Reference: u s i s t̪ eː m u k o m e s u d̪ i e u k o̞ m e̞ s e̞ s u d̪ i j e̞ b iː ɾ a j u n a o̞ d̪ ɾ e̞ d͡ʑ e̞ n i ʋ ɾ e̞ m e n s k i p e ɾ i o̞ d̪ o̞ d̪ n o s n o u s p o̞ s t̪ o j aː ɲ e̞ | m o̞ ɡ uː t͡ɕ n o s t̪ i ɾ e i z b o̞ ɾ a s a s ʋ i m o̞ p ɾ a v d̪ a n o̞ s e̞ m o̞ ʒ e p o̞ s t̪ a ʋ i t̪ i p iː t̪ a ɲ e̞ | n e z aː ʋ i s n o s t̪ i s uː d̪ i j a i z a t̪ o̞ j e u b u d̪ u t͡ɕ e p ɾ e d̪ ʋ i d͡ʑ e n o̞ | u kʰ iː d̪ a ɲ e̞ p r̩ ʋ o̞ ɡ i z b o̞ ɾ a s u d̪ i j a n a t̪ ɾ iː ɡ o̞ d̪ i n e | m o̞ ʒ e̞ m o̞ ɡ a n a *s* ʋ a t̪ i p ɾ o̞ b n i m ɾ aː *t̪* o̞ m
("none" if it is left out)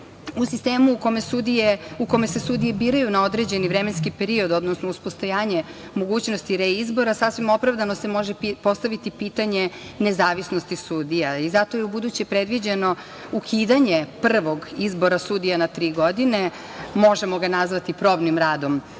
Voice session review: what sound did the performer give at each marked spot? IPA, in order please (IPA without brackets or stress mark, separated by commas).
z, d̪